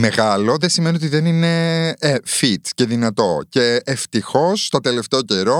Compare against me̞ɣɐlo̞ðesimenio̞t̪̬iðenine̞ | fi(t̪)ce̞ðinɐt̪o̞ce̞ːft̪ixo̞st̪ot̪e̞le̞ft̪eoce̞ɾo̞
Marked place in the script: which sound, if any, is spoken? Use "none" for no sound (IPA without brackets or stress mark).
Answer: t̪